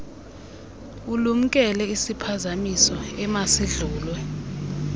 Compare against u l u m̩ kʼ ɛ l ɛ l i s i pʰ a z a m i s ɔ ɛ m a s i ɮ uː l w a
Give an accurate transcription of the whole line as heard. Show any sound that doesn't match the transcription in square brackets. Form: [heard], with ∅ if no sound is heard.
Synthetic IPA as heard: u l u m̩ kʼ ɛ l ɛ [∅] i s i pʰ a z a m i s ɔ ɛ m a s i ɮ uː l w [ɛ]